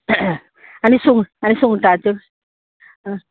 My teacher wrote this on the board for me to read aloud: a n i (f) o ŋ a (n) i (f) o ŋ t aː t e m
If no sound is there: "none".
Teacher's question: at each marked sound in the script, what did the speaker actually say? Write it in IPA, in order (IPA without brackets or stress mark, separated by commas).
s, n, s